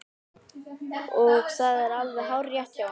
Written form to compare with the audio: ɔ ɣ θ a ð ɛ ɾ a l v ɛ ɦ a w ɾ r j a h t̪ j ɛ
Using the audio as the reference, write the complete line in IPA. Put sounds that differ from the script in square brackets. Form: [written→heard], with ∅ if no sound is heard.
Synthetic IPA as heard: ɔ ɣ θ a ð ɛ ɾ a l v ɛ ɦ a w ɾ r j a h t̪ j [ɛ→a]